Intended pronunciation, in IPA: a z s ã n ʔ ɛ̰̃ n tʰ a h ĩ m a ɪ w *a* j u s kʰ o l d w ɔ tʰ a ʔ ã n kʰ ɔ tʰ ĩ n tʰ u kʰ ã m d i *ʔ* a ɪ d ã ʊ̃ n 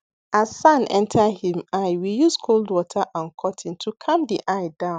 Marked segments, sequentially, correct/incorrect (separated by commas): incorrect, correct